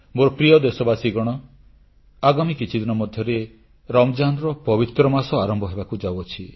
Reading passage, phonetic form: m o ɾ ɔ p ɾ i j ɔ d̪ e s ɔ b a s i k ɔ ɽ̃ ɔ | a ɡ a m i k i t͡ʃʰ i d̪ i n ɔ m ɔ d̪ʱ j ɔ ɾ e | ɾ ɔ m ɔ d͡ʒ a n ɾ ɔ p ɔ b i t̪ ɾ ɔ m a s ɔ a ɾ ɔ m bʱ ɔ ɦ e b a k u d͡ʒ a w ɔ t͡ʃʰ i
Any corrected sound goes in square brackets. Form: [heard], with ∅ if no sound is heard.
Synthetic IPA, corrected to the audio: m o ɾ ɔ p ɾ i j ɔ d̪ e s ɔ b a s i [ɡ] ɔ ɽ̃ ɔ | a ɡ a m i k i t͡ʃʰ i d̪ i n ɔ m ɔ d̪ʱ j ɔ ɾ e | ɾ ɔ m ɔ d͡ʒ a n ɾ ɔ p ɔ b i t̪ ɾ ɔ m a s ɔ a ɾ ɔ m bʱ ɔ ɦ e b a k u d͡ʒ a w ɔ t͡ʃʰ i